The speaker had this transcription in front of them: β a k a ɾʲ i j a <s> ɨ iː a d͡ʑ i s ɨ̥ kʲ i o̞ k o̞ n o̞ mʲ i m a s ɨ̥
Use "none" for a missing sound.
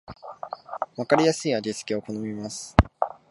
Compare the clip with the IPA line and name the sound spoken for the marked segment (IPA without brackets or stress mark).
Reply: s